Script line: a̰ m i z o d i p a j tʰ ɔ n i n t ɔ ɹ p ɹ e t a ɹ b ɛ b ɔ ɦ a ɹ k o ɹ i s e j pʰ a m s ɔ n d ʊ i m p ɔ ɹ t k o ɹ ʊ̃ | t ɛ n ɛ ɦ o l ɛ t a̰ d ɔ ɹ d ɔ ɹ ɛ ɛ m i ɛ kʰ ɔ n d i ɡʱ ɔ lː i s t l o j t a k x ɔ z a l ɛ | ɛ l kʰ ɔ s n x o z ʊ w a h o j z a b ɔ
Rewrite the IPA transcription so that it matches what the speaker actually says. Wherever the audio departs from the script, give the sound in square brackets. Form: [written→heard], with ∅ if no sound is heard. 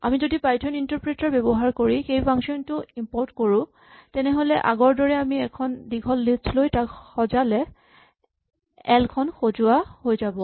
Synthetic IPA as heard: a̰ m i z o d i p a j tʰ ɔ n i n t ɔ ɹ p ɹ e t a ɹ b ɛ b ɔ ɦ a ɹ k o ɹ i [s→x] e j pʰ a [m→ŋ] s ɔ n [d→t] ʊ i m p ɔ ɹ t k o ɹ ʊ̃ | t ɛ n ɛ ɦ o l ɛ [t→ʔ] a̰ [d→ɡ] ɔ ɹ d ɔ ɹ ɛ [ɛ→a] m i ɛ kʰ ɔ n d i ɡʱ ɔ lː i s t l o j t a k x ɔ z a l ɛ | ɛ l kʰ ɔ [s→∅] n x o z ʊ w a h o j z a b ɔ